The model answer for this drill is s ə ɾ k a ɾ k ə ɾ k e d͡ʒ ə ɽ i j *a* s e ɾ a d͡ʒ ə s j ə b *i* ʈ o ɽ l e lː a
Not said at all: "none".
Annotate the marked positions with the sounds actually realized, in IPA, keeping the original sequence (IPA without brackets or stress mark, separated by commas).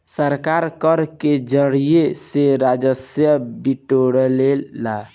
e, i